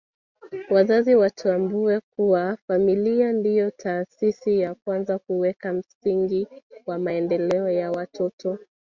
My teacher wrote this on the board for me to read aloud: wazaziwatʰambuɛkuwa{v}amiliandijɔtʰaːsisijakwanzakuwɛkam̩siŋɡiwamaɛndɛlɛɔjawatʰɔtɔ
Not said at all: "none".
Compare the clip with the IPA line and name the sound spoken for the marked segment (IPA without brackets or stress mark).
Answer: f